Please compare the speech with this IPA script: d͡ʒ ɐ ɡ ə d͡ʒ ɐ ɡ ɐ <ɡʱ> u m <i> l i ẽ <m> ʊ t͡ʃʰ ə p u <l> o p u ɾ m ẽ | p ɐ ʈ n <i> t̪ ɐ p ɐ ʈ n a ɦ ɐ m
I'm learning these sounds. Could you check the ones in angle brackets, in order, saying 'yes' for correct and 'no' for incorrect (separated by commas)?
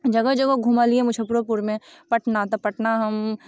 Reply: yes, no, yes, no, no